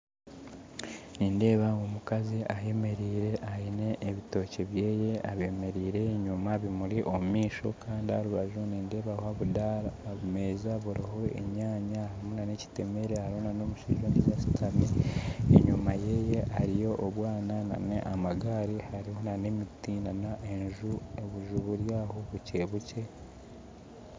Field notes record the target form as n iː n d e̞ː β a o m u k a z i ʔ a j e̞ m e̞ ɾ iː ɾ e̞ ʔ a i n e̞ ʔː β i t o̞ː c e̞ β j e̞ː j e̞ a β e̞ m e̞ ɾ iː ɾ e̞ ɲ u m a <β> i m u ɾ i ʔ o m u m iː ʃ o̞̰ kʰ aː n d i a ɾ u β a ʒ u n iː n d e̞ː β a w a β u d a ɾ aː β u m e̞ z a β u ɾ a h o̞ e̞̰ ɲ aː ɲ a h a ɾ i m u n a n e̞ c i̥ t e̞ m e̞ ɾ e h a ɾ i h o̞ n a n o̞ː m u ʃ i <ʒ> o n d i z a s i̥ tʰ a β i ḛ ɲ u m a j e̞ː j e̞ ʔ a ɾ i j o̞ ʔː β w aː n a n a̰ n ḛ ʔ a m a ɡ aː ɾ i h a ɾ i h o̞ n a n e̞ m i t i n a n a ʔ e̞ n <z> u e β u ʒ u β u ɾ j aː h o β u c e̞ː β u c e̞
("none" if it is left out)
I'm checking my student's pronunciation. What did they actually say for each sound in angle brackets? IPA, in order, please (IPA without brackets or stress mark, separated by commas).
β, ʒ, ʒ